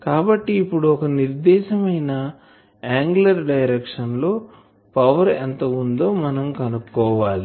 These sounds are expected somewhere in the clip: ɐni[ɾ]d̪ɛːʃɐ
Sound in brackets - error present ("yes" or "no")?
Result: no